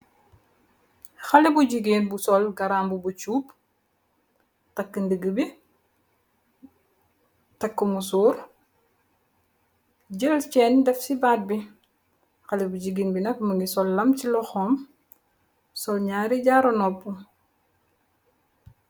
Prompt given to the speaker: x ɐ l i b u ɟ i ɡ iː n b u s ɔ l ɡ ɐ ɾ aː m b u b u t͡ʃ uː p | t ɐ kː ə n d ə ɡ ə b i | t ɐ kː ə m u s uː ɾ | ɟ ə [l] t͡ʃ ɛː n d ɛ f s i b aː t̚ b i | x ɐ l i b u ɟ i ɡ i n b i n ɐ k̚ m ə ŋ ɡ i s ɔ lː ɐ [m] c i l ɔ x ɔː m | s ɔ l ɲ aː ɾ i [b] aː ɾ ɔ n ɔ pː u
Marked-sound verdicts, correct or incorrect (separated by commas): correct, correct, incorrect